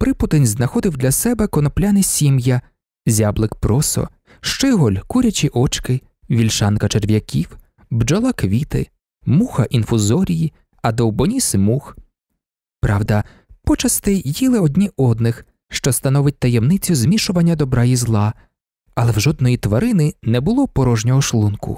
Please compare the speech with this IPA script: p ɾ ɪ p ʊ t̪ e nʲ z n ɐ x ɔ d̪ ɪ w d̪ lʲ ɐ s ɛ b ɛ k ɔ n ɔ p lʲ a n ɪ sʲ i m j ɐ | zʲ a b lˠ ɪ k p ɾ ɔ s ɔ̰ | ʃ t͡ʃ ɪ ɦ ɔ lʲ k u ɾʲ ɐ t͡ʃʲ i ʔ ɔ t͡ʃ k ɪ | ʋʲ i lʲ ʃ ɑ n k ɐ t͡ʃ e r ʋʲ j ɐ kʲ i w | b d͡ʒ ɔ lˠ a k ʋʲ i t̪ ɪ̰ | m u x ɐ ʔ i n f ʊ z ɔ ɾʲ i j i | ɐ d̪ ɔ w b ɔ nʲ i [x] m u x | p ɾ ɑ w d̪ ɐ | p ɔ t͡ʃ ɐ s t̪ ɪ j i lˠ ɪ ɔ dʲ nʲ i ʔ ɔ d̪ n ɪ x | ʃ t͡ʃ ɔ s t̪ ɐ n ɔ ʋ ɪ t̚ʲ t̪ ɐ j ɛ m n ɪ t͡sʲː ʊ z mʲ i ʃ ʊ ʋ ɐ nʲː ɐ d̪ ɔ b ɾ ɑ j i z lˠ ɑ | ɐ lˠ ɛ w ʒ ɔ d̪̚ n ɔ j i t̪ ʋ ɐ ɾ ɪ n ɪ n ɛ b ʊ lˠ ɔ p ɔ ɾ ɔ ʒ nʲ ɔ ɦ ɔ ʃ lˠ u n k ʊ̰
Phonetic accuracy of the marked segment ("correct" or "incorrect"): incorrect